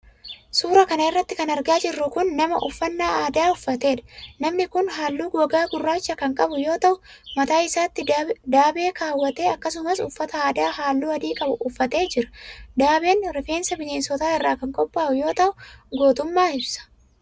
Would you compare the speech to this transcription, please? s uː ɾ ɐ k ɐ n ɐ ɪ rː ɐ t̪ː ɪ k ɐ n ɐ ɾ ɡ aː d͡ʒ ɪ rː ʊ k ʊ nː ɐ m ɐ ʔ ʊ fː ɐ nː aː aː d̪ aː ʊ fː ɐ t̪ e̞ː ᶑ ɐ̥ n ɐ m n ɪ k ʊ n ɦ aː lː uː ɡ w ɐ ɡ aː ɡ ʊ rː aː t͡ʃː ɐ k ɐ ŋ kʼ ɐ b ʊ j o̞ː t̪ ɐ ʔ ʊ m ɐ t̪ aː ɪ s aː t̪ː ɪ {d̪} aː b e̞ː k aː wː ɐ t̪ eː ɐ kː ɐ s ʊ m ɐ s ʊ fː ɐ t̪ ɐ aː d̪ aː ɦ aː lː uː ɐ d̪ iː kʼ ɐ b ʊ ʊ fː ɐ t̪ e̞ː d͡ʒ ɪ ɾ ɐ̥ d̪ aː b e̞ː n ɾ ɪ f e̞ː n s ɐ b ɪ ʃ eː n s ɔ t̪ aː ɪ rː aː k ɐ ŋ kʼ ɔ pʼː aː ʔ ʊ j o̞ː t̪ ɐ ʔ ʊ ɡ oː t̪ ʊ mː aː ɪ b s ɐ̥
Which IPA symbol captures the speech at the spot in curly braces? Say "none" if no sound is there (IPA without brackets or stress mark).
d̪